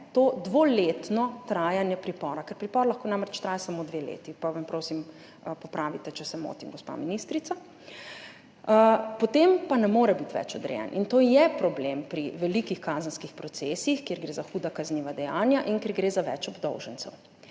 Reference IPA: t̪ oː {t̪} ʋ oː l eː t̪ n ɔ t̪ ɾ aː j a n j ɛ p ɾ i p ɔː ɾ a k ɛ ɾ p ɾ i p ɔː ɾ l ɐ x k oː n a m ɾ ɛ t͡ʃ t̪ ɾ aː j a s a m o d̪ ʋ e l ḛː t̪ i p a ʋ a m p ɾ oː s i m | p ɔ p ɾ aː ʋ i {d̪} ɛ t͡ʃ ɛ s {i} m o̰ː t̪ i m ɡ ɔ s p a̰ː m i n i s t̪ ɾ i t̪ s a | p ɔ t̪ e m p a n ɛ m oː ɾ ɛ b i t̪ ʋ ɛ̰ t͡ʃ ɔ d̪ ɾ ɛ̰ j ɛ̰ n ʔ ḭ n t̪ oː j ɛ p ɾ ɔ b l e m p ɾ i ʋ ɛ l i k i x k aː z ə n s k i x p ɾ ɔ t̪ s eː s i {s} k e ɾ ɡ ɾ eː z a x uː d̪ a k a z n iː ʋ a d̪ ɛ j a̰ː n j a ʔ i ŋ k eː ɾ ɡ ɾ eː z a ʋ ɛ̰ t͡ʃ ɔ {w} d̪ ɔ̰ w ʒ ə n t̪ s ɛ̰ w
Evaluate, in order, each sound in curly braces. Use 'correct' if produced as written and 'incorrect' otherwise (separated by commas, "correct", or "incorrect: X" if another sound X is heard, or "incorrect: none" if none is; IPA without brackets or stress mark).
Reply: incorrect: d̪, incorrect: t̪, incorrect: ɛ, incorrect: x, incorrect: b